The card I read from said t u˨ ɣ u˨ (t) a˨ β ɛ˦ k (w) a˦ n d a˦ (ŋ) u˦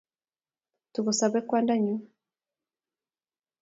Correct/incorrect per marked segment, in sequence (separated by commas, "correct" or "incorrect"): incorrect, correct, incorrect